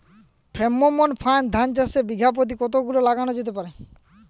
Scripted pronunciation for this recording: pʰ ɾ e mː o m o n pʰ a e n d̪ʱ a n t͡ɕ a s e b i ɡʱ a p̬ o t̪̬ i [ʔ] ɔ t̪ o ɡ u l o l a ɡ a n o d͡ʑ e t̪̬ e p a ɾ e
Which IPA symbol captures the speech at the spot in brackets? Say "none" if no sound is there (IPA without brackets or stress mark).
k